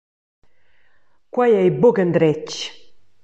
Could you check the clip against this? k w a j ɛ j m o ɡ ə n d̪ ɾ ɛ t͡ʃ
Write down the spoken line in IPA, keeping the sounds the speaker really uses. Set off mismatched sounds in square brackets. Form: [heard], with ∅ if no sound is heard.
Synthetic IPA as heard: k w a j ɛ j [b] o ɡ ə n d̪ ɾ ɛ t͡ʃ